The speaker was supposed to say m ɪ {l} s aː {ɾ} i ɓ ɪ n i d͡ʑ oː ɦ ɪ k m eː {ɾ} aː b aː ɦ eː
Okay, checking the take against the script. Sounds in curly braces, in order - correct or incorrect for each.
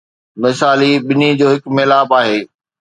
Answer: incorrect: none, incorrect: l, incorrect: l

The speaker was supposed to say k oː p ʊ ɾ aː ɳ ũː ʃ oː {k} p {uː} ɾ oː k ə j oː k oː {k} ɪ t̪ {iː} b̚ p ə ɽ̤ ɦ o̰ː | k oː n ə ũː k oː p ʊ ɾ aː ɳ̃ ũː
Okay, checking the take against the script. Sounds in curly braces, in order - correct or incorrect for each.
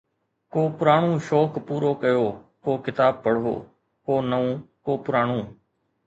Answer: correct, correct, correct, incorrect: aː

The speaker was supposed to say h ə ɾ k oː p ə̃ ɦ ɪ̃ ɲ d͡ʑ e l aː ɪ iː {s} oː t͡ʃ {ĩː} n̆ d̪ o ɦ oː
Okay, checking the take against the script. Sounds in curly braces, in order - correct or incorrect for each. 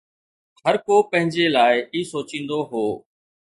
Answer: correct, correct

